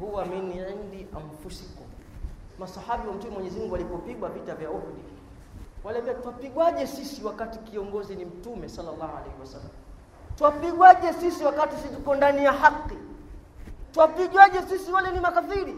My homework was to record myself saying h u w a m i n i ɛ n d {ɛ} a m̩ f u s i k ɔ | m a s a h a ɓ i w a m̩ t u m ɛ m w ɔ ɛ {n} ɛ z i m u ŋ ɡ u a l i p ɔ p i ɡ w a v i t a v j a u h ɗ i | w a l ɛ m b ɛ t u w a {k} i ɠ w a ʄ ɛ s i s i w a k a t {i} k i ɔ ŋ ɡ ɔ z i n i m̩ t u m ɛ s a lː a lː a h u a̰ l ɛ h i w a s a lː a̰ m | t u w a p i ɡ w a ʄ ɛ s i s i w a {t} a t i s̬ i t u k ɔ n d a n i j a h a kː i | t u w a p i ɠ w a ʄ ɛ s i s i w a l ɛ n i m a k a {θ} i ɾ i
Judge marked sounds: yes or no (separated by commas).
no, no, no, yes, no, yes